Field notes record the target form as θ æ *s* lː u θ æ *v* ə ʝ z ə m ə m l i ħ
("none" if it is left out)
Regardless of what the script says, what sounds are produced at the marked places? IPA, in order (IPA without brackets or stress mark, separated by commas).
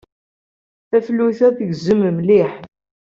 f, ð